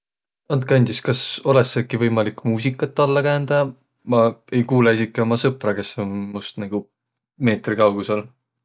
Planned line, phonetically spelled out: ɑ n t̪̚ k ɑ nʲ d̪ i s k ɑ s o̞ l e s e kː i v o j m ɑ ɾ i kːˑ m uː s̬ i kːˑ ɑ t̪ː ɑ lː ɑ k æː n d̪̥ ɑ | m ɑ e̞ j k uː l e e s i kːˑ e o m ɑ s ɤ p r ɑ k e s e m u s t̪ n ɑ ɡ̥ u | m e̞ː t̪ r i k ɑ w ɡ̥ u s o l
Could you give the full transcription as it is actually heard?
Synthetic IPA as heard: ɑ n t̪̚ k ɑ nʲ d̪ i s k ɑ s o̞ l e s e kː i v ɤ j m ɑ l i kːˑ m uː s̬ i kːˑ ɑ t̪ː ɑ lː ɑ k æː n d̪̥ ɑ | m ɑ e̞ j k uː l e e s i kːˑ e o m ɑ s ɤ p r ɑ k e s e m u s t̪ n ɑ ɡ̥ u | m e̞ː t̪ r i k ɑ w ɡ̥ u s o l